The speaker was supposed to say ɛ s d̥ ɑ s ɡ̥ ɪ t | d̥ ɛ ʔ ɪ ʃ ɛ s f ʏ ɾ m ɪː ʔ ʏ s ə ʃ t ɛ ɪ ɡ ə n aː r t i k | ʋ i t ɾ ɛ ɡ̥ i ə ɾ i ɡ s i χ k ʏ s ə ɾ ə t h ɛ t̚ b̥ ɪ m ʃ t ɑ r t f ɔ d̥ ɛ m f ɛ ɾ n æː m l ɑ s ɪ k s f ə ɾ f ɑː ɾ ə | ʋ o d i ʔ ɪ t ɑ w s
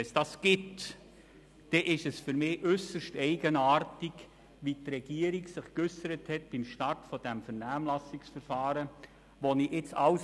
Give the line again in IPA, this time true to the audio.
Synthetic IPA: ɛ s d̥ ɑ s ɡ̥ ɪ t | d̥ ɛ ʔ ɪ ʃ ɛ s f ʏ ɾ m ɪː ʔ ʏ s ə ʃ t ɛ ɪ ɡ ə n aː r t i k | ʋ i t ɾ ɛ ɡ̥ i ə ɾ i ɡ s ɪ χ k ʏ s ə ɾ ə t h ɛ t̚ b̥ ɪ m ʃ t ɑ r t f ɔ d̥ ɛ m f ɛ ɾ n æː m l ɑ s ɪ k s f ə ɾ f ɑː ɾ ə | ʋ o n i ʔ ɪ t͡s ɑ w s

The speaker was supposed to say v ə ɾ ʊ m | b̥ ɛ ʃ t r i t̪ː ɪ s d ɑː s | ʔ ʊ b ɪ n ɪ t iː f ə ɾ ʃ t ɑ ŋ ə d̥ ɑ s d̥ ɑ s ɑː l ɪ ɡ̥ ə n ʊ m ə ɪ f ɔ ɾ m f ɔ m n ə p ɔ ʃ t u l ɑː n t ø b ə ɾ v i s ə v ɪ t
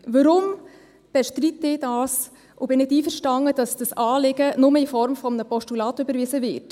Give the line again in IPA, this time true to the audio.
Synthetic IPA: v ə ɾ ʊ m | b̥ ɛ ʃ t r i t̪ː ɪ d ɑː s | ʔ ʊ b ɪ n ɪ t iː f ə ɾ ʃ t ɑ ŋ ə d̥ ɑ s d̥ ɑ s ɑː l ɪ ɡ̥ ə n ʊ m ə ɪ f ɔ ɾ m f ɔ m n ə p ɔ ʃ t u l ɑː t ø b ə ɾ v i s ə v ɪ t

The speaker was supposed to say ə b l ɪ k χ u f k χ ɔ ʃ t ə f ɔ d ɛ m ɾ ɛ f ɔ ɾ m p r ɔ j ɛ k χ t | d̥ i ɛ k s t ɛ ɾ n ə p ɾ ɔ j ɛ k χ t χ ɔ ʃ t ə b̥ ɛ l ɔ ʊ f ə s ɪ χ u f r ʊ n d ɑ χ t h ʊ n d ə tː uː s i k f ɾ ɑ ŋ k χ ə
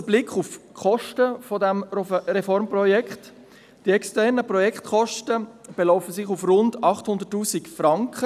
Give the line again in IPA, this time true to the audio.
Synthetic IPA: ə b l ɪ k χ u f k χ ɔ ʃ t ə f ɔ d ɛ m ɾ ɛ f ɔ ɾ m p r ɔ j ɛ k χ t | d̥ i ɛ k s t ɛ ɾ n ə p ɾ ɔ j ɛ k χ t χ ɔ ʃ t ə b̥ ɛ l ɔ ʊ f ə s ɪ χ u f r ʊ n d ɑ χ t h ʊ n d ə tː uː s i k f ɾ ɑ ŋ k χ ə

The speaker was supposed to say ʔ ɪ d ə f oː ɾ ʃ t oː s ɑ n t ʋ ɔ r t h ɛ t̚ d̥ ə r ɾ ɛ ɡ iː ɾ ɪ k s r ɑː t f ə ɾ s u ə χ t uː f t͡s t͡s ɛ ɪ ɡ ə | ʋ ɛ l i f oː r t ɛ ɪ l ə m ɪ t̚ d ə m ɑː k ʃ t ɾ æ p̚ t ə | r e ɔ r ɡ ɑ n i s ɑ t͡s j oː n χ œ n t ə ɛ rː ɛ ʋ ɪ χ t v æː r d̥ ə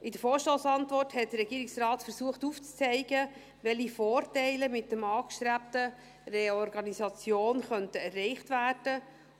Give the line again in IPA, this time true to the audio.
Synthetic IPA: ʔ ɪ d ə f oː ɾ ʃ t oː s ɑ n t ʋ ɔ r t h ɛ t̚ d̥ ə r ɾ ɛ ɡ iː ɾ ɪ k s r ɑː t f ə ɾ s u ə χ t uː f t͡s t͡s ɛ ɪ ɡ ə | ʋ ɛ l i f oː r t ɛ ɪ l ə m ɪ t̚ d ə m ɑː k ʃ t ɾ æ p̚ t ə | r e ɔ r ɡ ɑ n i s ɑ t͡s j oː n χ œ n t ə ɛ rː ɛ ɪ χ t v æː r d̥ ə

